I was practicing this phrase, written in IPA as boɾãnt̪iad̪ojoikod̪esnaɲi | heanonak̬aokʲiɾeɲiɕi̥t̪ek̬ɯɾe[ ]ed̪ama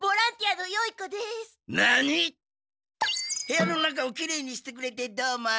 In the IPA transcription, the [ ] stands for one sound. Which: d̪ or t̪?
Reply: t̪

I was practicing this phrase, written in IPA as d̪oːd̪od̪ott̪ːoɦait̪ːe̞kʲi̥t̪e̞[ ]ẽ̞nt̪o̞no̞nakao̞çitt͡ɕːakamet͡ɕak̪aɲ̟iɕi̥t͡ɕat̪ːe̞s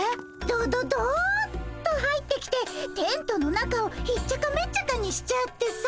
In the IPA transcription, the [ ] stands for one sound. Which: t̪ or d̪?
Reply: t̪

